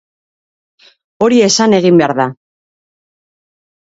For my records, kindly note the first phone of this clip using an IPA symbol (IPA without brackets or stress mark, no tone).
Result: o̞